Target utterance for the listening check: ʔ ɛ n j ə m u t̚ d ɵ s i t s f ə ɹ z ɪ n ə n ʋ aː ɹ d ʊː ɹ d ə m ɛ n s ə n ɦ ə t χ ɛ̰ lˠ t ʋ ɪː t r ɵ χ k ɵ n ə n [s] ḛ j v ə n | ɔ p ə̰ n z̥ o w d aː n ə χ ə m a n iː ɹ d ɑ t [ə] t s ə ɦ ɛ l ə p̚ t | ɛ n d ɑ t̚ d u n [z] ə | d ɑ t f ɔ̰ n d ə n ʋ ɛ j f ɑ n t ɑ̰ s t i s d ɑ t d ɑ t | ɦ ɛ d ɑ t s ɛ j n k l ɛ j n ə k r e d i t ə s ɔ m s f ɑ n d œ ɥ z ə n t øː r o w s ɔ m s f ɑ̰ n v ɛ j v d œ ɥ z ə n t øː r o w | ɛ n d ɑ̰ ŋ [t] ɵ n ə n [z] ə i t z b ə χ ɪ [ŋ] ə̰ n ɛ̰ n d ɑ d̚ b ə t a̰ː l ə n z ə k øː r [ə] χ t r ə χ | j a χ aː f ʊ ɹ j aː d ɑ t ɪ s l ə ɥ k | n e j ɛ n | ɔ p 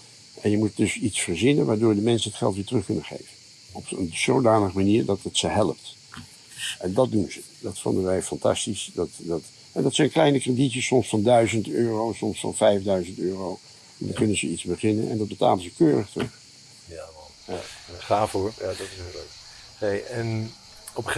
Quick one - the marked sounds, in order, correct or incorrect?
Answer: incorrect: χ, correct, correct, incorrect: k, correct, incorrect: n, correct

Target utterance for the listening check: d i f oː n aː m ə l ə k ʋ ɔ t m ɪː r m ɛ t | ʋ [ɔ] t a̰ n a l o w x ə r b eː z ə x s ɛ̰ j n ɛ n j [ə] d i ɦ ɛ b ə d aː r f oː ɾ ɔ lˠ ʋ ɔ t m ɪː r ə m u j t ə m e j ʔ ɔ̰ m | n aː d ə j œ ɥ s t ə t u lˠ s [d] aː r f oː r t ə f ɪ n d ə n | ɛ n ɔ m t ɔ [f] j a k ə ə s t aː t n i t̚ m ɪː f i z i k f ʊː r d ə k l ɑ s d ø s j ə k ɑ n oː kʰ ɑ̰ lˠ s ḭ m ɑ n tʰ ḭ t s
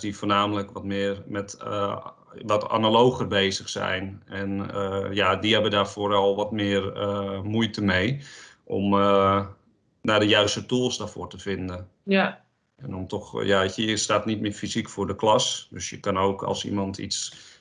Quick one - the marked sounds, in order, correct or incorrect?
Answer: correct, incorrect: a, correct, incorrect: x

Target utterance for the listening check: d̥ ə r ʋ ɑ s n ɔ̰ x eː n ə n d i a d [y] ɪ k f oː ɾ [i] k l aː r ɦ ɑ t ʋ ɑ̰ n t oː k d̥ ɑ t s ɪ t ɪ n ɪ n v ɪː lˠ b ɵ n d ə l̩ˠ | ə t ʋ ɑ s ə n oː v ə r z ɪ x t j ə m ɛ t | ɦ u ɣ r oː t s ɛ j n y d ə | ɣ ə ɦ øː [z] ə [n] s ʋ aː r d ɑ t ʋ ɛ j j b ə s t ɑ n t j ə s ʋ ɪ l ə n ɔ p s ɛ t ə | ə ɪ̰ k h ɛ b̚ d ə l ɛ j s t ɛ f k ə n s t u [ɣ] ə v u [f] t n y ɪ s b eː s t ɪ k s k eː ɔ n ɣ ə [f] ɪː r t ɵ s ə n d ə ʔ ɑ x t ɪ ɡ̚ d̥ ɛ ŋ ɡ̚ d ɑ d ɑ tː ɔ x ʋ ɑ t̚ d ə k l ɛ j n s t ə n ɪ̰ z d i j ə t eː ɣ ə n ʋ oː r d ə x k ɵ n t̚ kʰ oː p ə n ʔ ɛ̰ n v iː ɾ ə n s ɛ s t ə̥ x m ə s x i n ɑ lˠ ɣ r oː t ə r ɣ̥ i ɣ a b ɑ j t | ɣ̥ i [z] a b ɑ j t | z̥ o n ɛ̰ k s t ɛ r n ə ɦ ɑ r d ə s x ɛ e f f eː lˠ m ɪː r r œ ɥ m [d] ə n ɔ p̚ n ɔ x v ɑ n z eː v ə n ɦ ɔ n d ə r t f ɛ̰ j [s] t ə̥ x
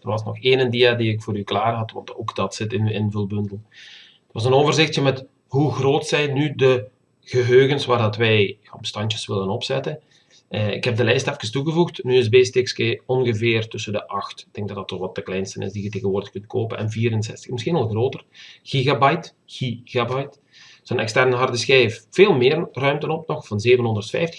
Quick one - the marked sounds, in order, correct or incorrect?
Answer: incorrect: i, incorrect: y, incorrect: ɣ, correct, correct, incorrect: x, incorrect: v, incorrect: ɣ, incorrect: t, incorrect: f

